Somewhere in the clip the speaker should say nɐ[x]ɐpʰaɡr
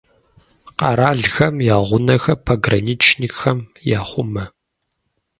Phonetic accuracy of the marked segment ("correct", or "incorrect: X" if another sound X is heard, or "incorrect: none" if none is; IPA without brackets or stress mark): correct